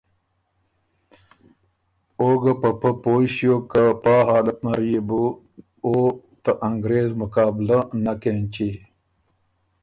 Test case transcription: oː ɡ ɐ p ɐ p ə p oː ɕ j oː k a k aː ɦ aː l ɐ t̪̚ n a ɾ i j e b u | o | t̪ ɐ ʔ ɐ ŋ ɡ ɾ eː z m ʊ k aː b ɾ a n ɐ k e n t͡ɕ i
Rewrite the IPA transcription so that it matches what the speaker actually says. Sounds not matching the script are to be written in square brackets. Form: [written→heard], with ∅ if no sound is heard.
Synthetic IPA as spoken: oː ɡ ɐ p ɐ p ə p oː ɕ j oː k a [k→p] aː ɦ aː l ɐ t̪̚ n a ɾ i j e b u | o | t̪ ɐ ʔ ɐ ŋ ɡ ɾ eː z m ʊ k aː b [ɾ→l] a n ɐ k e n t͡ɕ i